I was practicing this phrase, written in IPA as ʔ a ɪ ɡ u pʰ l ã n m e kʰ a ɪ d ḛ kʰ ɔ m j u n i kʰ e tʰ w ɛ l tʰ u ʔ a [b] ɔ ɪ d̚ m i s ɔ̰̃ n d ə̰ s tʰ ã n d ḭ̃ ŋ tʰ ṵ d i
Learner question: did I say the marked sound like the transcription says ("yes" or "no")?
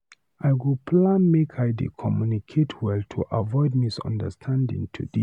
no